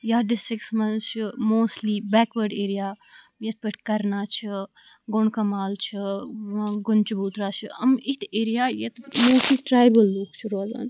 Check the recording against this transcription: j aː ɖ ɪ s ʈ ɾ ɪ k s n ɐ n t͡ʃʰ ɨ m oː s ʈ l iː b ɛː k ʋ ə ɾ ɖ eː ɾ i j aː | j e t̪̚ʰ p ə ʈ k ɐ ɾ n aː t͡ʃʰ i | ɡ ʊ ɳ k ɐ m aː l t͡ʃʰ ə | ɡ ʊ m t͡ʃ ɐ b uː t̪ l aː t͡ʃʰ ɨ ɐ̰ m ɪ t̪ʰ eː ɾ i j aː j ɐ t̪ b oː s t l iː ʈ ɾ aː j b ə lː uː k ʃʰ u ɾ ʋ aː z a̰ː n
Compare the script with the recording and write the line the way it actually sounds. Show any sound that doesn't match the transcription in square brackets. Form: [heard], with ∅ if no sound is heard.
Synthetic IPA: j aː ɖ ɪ s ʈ ɾ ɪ k s [m] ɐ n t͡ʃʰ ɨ m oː s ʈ l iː b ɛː k ʋ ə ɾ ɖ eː ɾ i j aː | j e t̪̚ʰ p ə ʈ k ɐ ɾ n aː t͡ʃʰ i | ɡ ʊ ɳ k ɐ m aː l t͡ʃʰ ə | ɡ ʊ [n] t͡ʃ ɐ b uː t̪ [ɾ] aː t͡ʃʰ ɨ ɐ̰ m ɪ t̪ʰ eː ɾ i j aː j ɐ t̪ [m] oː s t l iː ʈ ɾ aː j b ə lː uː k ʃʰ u ɾ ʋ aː z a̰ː n